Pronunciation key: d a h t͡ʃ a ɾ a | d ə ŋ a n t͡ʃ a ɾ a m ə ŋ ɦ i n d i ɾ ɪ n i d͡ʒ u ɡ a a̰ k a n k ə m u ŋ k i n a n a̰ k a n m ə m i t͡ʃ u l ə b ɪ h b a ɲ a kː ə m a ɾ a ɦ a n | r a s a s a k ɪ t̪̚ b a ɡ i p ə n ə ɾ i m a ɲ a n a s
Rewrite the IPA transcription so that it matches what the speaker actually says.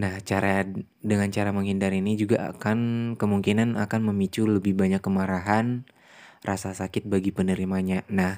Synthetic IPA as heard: n a h t͡ʃ a ɾ a | d ə ŋ a n t͡ʃ a ɾ a m ə ŋ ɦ i n d a ɾ i n i d͡ʒ u ɡ a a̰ k a n k ə m u ŋ k i n a n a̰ k a n m ə m i t͡ʃ u l ə b ɪ h b a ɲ a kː ə m a ɾ a ɦ a n | r a s a s a k ɪ t̪̚ b a ɡ i p ə n ə ɾ i m a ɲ a n a h